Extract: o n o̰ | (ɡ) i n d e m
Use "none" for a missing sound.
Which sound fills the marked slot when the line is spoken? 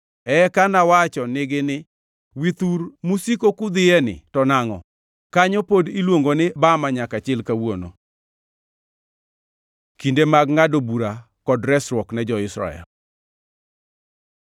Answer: k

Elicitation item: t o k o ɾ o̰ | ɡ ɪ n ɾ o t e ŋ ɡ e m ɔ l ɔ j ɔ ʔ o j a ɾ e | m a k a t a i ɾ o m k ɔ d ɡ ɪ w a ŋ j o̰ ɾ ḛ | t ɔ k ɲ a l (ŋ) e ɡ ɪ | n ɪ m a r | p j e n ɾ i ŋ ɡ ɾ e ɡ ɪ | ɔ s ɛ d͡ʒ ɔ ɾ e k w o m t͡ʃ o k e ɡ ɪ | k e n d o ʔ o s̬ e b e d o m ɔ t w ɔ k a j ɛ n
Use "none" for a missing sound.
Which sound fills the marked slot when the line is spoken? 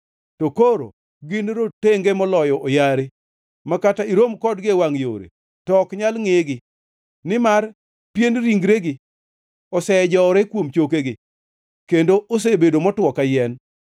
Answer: ŋ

